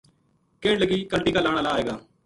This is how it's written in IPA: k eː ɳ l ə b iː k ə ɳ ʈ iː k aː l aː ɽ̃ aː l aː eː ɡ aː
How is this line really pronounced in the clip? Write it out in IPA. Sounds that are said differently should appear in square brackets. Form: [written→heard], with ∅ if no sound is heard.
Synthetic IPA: k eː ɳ l ə [b→ɡ] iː k ə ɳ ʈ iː k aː l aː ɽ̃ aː l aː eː ɡ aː